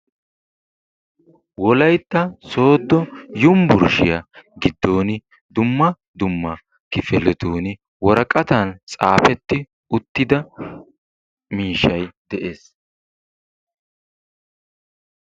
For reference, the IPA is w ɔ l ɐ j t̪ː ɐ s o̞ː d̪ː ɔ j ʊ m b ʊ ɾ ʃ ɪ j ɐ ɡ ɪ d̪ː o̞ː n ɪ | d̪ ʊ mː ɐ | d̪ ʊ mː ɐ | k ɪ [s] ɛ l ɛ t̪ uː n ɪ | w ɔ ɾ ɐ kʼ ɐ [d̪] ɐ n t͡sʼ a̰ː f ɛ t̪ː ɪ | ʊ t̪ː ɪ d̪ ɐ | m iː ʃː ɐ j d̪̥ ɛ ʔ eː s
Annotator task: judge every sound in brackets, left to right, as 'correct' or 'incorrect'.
incorrect, incorrect

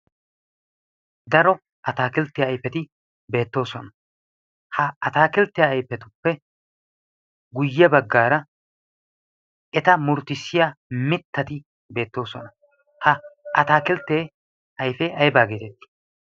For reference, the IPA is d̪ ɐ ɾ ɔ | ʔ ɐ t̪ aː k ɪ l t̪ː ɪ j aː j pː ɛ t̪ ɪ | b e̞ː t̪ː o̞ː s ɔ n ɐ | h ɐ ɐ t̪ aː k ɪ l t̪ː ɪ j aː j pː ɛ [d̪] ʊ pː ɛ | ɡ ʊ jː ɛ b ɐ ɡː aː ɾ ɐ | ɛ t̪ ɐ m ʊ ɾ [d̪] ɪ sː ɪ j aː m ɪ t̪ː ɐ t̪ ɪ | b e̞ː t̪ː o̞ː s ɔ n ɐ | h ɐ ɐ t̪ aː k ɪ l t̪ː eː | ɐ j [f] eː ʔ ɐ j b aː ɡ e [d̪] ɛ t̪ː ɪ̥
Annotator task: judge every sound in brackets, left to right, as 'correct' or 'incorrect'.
incorrect, incorrect, correct, incorrect

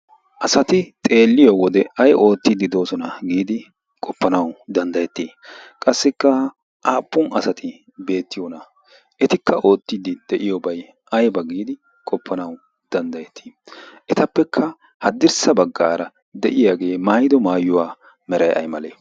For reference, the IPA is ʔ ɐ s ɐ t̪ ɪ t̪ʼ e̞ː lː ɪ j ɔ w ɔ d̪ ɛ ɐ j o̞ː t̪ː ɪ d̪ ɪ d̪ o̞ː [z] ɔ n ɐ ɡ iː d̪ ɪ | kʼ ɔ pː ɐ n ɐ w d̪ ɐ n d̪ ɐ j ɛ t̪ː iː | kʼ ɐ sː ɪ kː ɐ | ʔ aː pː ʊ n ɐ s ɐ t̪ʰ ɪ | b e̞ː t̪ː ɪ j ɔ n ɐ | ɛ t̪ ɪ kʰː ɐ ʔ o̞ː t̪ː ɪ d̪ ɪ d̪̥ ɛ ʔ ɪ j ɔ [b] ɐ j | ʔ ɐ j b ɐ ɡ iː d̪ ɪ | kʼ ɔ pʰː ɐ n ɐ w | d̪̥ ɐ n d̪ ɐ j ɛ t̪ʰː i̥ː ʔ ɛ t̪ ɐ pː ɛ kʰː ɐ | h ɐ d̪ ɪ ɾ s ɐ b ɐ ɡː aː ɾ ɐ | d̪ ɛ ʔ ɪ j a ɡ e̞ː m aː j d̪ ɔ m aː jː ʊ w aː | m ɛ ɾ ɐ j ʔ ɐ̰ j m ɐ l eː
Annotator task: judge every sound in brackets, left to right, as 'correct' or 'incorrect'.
incorrect, correct

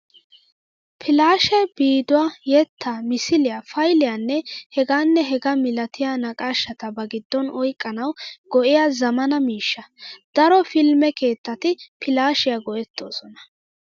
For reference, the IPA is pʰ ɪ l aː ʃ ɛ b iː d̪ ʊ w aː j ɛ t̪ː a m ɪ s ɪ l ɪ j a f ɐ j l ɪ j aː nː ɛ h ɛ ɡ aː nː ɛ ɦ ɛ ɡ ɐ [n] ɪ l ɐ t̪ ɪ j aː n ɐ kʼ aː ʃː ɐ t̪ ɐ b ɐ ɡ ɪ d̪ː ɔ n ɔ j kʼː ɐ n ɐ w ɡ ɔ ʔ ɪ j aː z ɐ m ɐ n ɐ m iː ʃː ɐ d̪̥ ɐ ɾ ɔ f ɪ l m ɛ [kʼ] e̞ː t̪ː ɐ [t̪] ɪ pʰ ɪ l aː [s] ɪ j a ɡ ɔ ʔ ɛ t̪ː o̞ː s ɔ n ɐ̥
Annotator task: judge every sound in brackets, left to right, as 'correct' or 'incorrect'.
incorrect, incorrect, correct, incorrect

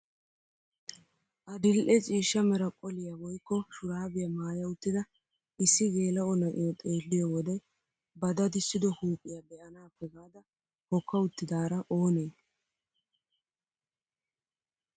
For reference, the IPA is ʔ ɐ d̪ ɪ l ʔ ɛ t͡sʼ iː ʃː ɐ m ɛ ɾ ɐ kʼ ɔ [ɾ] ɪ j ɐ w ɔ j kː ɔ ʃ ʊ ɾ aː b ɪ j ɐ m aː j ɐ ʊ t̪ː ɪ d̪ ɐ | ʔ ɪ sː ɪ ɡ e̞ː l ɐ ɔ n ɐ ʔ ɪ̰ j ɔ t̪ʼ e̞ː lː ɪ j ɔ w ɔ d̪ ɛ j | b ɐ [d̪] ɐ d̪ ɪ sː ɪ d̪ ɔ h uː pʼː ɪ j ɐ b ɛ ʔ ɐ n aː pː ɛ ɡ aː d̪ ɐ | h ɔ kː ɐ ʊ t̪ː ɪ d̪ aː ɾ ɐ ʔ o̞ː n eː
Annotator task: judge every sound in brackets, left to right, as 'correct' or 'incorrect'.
incorrect, correct

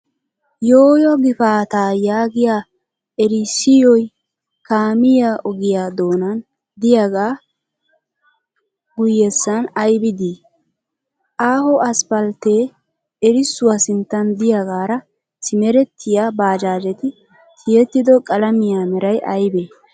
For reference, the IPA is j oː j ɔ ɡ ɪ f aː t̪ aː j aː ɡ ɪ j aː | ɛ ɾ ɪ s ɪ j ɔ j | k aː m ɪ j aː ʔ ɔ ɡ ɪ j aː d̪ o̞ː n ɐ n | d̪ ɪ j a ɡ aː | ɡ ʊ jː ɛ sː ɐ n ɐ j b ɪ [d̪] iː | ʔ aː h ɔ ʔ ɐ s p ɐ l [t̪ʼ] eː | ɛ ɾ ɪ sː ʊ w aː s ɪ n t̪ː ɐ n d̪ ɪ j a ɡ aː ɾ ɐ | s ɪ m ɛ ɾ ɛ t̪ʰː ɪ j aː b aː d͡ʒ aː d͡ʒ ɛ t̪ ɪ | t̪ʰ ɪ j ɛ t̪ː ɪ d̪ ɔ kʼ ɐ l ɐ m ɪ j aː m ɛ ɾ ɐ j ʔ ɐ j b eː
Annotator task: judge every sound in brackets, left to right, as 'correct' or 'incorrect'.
correct, incorrect

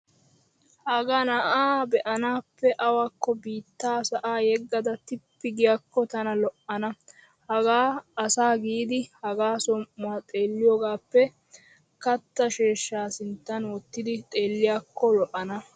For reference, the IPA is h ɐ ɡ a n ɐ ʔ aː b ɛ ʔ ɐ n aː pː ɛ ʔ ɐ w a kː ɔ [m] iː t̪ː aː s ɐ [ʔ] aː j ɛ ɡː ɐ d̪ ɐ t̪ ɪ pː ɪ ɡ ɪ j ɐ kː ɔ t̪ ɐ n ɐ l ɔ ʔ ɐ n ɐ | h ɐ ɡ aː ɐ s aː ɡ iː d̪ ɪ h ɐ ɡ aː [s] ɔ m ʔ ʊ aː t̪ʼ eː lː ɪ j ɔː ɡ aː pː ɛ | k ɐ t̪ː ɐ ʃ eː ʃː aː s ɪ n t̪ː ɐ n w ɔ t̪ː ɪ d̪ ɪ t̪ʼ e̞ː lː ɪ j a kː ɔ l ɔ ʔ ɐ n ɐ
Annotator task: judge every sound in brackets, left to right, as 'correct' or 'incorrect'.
incorrect, correct, correct

